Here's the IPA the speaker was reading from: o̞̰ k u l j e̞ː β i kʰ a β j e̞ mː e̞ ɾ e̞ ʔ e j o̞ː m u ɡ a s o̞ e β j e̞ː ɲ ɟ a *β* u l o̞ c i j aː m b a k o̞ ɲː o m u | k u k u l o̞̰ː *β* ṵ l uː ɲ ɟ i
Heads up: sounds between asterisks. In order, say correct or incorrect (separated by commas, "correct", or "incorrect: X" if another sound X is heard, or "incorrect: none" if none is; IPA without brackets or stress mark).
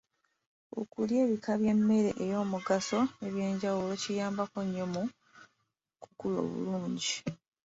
incorrect: w, correct